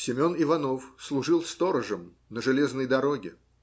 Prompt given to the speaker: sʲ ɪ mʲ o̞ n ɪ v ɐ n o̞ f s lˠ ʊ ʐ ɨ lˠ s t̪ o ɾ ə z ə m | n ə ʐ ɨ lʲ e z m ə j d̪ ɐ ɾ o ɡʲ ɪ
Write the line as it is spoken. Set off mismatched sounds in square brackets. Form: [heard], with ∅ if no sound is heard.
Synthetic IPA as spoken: sʲ ɪ mʲ o̞ n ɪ v ɐ n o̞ f s lˠ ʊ ʐ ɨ lˠ s t̪ o ɾ ə [ʐ] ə m | n ə ʐ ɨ lʲ e z [n] ə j d̪ ɐ ɾ o ɡʲ ɪ